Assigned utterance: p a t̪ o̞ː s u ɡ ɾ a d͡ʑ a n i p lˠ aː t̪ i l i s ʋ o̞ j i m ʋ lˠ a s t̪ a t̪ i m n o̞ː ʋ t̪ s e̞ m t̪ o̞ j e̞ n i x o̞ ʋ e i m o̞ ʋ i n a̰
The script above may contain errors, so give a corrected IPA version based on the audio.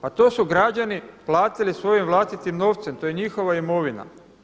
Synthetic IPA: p a t̪ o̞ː s u ɡ ɾ a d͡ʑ a n i p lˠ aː t̪ i l i s ʋ o̞ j i m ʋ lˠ a s t̪ i t̪ i m n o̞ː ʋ t̪ s e̞ m t̪ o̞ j e̞ ɲ i x o̞ ʋ a i m o̞ ʋ i n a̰